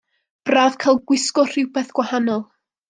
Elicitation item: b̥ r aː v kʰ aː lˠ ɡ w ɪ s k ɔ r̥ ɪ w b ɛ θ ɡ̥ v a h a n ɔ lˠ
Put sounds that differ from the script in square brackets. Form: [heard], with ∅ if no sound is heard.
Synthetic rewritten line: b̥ r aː v kʰ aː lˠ ɡ w ɪ s k ɔ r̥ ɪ w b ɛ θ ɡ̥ [w] a h a n ɔ lˠ